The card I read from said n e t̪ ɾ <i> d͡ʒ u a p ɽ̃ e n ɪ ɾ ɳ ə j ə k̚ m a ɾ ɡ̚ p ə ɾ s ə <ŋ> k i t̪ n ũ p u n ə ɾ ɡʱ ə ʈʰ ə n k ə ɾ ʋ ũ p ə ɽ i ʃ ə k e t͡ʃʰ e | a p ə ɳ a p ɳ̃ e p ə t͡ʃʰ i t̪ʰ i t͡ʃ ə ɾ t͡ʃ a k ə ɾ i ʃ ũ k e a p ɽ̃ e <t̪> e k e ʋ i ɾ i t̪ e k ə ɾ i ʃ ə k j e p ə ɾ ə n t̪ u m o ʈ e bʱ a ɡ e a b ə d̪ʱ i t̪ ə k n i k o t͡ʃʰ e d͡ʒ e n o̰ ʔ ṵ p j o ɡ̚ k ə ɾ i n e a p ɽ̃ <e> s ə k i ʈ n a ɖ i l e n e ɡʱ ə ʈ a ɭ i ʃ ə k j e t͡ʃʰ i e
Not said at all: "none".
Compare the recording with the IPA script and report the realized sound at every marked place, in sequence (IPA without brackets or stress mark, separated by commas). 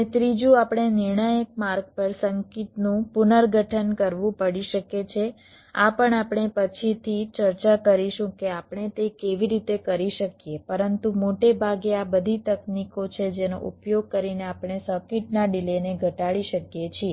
i, ŋ, t̪, e